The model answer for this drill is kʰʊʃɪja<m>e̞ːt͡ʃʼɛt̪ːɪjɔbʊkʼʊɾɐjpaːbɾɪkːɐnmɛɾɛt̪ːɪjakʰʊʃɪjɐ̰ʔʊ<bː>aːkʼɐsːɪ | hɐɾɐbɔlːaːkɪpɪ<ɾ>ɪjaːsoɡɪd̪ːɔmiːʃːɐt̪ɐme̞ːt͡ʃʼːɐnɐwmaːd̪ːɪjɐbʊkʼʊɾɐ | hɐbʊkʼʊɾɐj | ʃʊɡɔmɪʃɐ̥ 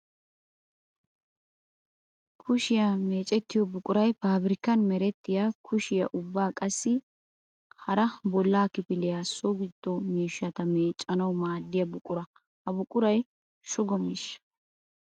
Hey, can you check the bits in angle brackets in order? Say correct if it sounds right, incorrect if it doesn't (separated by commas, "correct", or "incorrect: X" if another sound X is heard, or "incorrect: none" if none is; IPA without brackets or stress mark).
correct, correct, incorrect: l